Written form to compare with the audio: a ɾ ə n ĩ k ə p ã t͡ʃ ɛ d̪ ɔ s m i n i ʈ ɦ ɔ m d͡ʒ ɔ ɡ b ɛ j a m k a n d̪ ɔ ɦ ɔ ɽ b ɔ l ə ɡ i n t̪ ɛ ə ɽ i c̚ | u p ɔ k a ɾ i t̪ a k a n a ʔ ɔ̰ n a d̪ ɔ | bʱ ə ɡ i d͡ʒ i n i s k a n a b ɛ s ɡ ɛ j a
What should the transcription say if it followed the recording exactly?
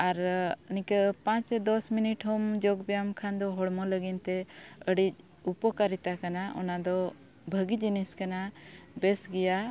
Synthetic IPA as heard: a ɾ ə n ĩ k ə p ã t͡ʃ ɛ d̪ ɔ s m i n i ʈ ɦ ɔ m d͡ʒ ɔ ɡ b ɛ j a m kʰ a n d̪ ɔ ɦ ɔ ɽ m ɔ l ə ɡ i n t̪ ɛ ə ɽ i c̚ | u p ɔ k a ɾ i t̪ a k a n a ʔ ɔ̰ n a d̪ ɔ | bʱ ə ɡ i d͡ʒ i n i s k a n a b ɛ s ɡ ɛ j a

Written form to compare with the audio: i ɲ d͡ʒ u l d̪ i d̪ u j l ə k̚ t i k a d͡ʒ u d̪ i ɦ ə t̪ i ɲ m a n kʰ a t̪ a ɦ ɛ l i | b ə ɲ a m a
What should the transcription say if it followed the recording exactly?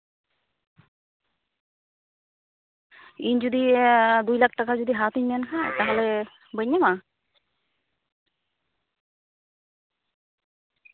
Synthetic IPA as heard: i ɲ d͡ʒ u d̪ i d̪ u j l a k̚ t a k a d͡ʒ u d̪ i ɦ a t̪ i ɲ m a n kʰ a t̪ a ɦ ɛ l ɛ | b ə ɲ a m a

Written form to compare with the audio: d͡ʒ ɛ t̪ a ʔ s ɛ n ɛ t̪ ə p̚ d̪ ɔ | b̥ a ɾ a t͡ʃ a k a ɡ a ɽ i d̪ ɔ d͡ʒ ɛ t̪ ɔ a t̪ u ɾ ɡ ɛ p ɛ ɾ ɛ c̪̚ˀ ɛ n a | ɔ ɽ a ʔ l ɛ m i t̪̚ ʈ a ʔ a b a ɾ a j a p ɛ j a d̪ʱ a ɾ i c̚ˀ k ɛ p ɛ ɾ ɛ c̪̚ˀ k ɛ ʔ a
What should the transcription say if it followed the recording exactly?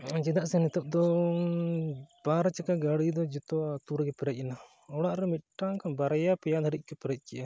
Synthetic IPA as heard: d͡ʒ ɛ d̪ a ʔ s ɛ n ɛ t̪ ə p̚ d̪ ɔ | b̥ a ɾ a t͡ʃ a k a ɡ a ɽ i d̪ ɔ d͡ʒ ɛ t̪ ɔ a t̪ u ɾ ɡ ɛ p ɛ ɾ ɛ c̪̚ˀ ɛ n a | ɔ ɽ a ʔ ɾ ɛ m i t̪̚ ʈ a k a b a ɾ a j a p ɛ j a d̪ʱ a ɾ i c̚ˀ k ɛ p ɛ ɾ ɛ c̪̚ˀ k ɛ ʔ a

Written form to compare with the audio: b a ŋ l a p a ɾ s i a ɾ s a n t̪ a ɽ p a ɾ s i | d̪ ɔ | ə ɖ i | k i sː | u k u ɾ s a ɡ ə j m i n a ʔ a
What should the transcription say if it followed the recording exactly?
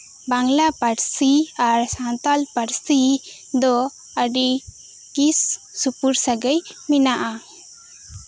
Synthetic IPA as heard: b a ŋ l a p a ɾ s i a ɾ s a n t̪ a l p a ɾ s i | d̪ ɔ | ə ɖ i | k i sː | u p u ɾ s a ɡ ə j m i n a ʔ a

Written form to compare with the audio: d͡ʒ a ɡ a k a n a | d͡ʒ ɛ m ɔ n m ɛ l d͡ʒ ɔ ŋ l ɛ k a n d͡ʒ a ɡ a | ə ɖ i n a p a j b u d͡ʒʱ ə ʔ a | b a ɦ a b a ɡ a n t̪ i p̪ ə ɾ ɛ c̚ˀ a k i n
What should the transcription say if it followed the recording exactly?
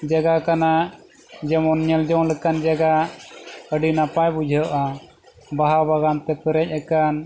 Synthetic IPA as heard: d͡ʒ a ɡ a k a n a | d͡ʒ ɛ m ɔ n ɲ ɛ l d͡ʒ ɔ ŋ l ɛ k a n d͡ʒ a ɡ a | ə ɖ i n a p a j b u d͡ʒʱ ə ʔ a | b a ɦ a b a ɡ a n t̪ ɛ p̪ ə ɾ ɛ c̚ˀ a k a n

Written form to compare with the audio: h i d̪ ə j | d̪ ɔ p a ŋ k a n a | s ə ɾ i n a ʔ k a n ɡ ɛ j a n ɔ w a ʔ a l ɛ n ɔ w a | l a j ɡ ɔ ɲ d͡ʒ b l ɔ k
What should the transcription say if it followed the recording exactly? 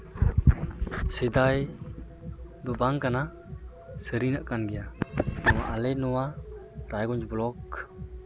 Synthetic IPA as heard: s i d̪ a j | d̪ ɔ b a ŋ k a n a | s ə ɾ i n a ʔ k a n ɡ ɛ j a n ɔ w a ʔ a l ɛ n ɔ w a | ɾ a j ɡ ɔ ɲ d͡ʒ b l ɔ k

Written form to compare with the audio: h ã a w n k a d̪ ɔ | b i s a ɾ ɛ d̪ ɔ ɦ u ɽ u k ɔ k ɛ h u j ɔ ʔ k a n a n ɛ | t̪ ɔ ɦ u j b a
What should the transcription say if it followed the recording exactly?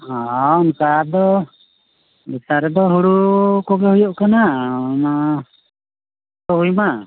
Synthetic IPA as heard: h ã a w n k a d̪ ɔ | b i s a ɾ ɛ d̪ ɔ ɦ u ɽ u k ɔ ɡ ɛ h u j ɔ ʔ k a n a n a | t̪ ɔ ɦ u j m a

